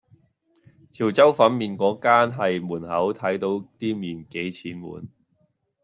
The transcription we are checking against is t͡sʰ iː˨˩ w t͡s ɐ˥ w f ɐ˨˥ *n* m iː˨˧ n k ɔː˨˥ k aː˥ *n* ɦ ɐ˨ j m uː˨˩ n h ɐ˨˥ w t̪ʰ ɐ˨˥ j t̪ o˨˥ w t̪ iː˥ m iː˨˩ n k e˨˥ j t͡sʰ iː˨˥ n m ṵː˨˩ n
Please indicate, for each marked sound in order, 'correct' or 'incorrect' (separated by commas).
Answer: correct, correct